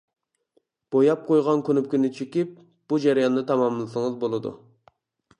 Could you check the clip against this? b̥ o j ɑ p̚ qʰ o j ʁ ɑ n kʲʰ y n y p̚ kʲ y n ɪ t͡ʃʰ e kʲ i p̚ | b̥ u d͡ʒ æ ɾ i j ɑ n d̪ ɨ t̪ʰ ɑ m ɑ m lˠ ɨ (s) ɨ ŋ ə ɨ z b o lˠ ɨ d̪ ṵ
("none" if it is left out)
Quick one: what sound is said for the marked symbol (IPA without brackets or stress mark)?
s